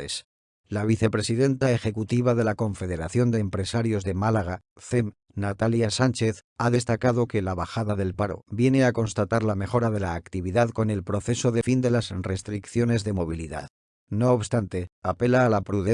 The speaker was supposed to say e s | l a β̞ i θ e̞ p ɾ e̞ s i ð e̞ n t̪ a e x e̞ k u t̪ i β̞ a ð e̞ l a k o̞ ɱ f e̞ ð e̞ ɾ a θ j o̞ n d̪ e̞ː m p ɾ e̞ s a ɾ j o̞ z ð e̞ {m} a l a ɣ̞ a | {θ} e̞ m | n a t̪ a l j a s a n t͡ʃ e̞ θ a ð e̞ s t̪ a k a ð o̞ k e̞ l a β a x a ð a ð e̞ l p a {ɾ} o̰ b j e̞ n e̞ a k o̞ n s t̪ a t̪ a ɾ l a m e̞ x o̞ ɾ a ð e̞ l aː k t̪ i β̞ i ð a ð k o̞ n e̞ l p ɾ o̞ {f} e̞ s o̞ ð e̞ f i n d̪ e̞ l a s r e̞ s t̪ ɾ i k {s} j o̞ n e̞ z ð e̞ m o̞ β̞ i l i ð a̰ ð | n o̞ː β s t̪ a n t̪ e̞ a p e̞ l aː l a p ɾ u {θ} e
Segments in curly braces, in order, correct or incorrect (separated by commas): correct, correct, correct, incorrect, incorrect, incorrect